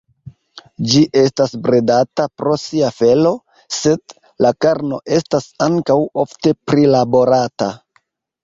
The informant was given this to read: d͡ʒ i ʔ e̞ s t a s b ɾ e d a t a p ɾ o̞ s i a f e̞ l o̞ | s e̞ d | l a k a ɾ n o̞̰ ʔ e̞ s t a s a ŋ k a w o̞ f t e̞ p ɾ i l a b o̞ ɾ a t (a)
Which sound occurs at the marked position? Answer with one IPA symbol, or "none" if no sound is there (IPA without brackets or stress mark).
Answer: a